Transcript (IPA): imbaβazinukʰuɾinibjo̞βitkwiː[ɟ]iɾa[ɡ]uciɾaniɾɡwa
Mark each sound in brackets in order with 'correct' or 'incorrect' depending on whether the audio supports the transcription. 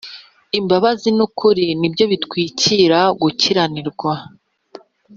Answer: incorrect: c, correct

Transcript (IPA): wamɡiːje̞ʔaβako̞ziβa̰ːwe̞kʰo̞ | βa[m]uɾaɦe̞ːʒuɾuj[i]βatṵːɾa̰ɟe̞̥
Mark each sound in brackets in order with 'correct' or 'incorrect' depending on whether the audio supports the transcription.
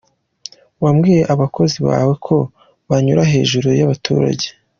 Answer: incorrect: ɲ, incorrect: a

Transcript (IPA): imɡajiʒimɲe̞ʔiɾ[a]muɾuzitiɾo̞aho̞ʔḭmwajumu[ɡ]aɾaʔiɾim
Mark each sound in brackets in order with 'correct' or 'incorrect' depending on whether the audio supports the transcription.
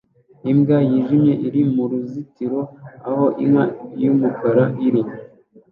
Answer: incorrect: i, incorrect: k

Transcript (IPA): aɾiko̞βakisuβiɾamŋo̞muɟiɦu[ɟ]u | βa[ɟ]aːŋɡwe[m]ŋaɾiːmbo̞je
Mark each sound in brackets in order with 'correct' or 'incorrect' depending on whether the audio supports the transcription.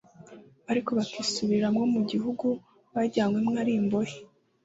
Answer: incorrect: ɡ, correct, correct

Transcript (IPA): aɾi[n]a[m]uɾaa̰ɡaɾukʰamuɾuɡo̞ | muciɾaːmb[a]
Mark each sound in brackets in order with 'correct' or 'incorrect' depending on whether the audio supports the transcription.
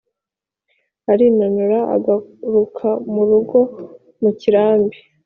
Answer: correct, incorrect: n, incorrect: i

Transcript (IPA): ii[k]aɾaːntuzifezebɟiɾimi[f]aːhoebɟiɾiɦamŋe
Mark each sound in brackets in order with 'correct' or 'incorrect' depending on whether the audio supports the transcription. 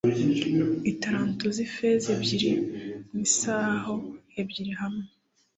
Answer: incorrect: t, incorrect: s

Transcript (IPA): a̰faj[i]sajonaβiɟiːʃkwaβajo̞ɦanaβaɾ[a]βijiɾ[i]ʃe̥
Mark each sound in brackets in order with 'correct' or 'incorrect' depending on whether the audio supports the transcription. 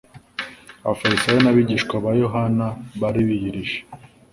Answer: correct, incorrect: i, correct

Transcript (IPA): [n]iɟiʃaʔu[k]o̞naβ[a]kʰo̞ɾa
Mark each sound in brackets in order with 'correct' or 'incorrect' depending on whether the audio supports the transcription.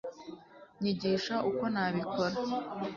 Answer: incorrect: ɲ, correct, incorrect: i

